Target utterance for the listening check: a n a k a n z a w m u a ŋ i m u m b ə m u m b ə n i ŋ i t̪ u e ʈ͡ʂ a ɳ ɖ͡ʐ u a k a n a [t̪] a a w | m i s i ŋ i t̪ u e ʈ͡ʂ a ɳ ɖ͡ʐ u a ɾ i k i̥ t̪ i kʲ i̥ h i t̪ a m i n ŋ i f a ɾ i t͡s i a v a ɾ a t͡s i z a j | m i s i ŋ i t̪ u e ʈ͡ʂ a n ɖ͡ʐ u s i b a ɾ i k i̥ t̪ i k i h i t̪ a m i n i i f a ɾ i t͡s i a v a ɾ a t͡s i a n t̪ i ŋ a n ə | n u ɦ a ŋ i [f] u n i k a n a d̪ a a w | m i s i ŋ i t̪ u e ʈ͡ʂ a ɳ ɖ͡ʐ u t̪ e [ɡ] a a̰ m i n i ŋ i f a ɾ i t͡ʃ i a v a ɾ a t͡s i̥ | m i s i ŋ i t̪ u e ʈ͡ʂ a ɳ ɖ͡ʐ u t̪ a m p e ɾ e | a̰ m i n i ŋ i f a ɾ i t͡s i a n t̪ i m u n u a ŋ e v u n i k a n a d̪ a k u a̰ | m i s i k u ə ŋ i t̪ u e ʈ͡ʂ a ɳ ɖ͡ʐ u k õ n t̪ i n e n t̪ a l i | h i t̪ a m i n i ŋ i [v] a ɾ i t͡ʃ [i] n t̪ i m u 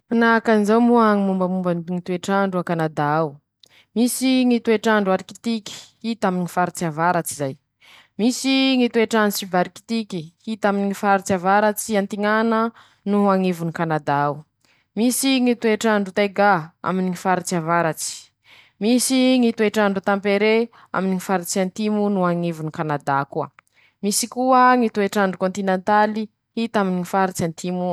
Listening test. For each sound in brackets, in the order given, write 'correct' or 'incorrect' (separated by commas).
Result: incorrect, incorrect, correct, incorrect, incorrect